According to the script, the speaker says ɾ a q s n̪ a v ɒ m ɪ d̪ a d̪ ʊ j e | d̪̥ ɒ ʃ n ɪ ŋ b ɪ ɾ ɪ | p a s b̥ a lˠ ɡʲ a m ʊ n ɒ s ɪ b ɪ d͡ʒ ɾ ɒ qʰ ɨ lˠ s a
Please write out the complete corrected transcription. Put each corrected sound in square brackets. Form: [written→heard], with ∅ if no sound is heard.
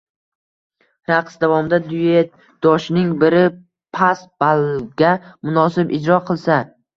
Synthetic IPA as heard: ɾ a q s [n̪→d̪] a v ɒ m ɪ d̪ a d̪ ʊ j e | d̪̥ ɒ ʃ n ɪ ŋ b ɪ ɾ ɪ | [p→pʰ] a s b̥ a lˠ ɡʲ a m ʊ n ɒ s ɪ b ɪ d͡ʒ ɾ ɒ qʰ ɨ lˠ s a

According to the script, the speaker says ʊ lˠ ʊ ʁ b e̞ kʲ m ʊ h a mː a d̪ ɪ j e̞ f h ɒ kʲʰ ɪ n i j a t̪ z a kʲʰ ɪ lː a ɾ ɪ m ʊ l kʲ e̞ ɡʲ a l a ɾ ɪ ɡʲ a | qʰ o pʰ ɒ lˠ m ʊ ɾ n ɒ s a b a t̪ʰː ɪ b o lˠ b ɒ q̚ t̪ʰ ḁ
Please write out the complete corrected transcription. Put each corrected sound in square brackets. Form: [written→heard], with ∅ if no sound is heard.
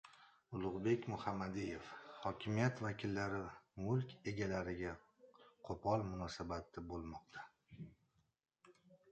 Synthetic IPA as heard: ʊ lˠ ʊ ʁ b e̞ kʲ m ʊ h a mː a d̪ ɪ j e̞ f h ɒ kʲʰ ɪ [n→m] i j a t̪ [z→v] a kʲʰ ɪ lː a ɾ ɪ m ʊ l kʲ e̞ ɡʲ a l a ɾ ɪ ɡʲ a | qʰ o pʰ ɒ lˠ m ʊ [ɾ→∅] n ɒ s a b a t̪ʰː ɪ b o lˠ [b→m] ɒ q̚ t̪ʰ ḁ

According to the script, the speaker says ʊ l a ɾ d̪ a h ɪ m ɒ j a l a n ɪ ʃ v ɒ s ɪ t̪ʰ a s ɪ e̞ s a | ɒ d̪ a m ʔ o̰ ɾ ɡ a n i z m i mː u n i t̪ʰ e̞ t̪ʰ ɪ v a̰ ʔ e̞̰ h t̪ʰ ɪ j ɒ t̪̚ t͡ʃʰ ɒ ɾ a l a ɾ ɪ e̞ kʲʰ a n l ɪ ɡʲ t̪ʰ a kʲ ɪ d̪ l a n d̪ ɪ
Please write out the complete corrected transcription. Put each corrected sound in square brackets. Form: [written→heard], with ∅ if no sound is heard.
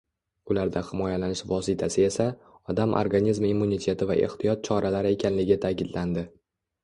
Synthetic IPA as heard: ʊ l a ɾ d̪ a h ɪ m ɒ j a l a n ɪ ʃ v ɒ s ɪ t̪ʰ a s ɪ e̞ s a | ɒ d̪ a m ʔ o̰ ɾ ɡ a n i z m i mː u n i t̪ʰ e̞ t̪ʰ ɪ v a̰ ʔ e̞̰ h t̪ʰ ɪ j ɒ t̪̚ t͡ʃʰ ɒ ɾ a l a ɾ ɪ e̞ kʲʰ a n l ɪ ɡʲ t̪ʰ a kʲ ɪ d̪ l a n d̪ ɪ

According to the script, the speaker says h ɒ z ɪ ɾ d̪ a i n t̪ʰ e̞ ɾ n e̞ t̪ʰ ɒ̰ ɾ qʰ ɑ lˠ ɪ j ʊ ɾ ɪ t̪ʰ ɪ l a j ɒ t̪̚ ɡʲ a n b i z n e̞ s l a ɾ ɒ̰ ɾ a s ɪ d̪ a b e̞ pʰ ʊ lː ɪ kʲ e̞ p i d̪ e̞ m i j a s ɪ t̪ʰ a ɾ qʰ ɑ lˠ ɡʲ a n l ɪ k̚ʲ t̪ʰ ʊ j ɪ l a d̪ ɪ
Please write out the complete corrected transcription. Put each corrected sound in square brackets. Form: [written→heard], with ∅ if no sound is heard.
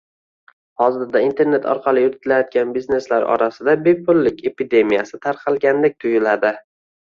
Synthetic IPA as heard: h ɒ z ɪ ɾ d̪ a i n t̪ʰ e̞ ɾ n e̞ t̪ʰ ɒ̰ ɾ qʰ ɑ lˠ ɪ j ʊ ɾ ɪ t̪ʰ ɪ l a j ɒ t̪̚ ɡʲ a n b i z n e̞ s l a ɾ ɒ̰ ɾ a s ɪ d̪ a b e̞ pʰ ʊ lː ɪ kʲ e̞ p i d̪ e̞ m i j a s ɪ t̪ʰ a ɾ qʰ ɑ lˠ ɡʲ a n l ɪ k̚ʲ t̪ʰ ʊ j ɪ l a d̪ ɪ

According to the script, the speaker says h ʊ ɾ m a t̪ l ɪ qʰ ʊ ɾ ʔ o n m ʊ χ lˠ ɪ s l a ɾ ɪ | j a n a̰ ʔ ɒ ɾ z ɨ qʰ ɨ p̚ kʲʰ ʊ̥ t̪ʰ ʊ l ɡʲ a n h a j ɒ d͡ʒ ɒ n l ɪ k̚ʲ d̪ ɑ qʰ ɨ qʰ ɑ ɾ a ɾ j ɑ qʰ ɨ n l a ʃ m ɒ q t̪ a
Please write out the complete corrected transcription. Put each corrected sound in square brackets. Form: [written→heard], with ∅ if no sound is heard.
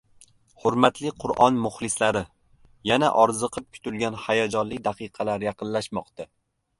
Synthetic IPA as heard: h ʊ ɾ m a t̪ l ɪ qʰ ʊ ɾ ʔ [o→ɒ] n m ʊ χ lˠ ɪ s l a ɾ ɪ | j a n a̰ ʔ ɒ ɾ z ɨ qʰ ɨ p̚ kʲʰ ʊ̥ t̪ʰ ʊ l ɡʲ a n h a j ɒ d͡ʒ ɒ n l ɪ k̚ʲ d̪ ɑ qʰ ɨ qʰ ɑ [ɾ→l] a ɾ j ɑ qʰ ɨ n l a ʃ m ɒ q t̪ a

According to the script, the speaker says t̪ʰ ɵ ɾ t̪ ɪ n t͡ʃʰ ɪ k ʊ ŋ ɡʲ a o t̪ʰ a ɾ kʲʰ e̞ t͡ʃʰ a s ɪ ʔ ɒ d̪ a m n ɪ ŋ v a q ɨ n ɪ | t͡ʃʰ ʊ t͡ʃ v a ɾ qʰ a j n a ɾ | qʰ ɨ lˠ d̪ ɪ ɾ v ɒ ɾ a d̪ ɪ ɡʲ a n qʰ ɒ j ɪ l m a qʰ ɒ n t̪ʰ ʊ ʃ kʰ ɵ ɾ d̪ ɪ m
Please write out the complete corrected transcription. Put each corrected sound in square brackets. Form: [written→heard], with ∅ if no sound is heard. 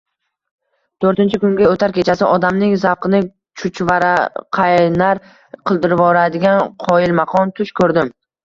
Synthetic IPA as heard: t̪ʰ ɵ ɾ t̪ ɪ n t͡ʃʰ ɪ k ʊ ŋ ɡʲ a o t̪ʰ a ɾ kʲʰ e̞ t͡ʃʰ a s ɪ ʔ ɒ d̪ a m n ɪ ŋ [v→z] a q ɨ n ɪ | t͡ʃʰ ʊ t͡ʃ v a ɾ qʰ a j n a ɾ | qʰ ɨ lˠ d̪ ɪ ɾ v ɒ ɾ a d̪ ɪ ɡʲ a n qʰ ɒ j ɪ l m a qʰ ɒ n t̪ʰ ʊ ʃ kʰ ɵ ɾ d̪ ɪ m

